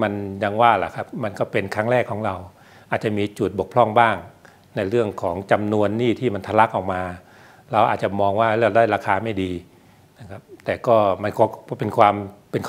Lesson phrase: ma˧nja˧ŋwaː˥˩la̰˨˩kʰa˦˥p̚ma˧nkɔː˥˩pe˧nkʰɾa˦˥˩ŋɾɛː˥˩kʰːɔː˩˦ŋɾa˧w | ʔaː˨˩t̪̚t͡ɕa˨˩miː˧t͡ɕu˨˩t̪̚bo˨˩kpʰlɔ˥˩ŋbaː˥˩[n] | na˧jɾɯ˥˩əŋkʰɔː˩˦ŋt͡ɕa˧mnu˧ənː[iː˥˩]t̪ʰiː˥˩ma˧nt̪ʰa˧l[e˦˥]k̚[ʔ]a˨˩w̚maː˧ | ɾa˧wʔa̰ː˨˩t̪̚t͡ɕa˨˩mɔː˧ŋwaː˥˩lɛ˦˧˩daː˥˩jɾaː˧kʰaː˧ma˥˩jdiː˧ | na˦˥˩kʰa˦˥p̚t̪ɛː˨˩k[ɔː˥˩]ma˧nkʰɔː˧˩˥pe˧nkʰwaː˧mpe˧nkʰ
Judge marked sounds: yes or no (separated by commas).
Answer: no, yes, no, yes, yes